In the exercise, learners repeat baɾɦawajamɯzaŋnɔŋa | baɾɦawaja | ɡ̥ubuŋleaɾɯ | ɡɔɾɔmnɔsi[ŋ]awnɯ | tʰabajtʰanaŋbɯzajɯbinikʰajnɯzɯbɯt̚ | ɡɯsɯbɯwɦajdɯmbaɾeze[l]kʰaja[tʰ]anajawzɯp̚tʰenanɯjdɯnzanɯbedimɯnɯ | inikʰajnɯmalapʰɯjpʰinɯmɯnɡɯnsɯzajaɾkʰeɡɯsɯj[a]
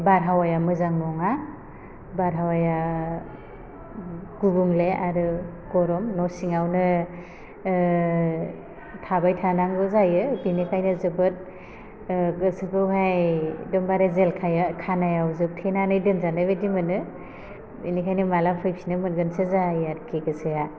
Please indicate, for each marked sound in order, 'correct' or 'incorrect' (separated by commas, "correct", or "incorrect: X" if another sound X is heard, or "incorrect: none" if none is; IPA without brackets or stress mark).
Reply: correct, correct, incorrect: kʰ, correct